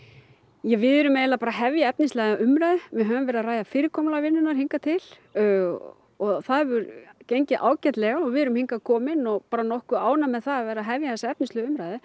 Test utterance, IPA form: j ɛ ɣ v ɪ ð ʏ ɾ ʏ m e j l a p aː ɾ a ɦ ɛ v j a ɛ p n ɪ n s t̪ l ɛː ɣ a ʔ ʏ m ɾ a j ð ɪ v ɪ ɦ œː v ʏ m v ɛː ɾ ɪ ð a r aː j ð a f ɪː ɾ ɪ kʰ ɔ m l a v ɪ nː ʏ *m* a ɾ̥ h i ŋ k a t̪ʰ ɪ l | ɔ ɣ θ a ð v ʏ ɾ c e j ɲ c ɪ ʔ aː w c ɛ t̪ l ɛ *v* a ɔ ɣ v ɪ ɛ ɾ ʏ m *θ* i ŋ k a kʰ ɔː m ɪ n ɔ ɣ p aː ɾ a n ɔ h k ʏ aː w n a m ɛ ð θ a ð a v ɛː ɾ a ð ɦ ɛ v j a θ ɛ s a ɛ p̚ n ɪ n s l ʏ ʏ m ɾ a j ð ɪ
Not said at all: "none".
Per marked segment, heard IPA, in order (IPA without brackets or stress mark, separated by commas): n, ɣ, h